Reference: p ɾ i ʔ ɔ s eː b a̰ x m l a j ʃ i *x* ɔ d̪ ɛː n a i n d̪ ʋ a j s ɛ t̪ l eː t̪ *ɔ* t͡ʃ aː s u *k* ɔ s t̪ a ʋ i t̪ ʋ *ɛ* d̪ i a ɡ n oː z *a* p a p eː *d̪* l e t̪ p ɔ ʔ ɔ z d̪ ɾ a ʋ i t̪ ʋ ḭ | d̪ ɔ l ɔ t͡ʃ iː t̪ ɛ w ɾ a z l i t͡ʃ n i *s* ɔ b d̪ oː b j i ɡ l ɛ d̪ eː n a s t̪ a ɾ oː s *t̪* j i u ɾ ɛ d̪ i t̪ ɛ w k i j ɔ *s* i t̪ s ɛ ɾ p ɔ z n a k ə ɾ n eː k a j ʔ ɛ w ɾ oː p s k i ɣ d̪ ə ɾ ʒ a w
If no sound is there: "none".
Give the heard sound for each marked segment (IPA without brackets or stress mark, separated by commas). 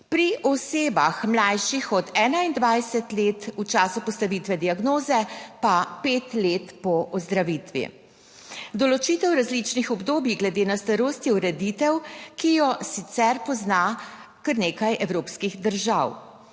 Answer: x, u, p, ɛ, ɛ, t̪, x, t̪, s